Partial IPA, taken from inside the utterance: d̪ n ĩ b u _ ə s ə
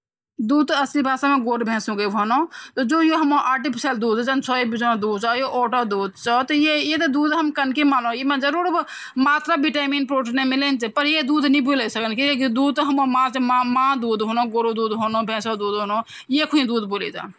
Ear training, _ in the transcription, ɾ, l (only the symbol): l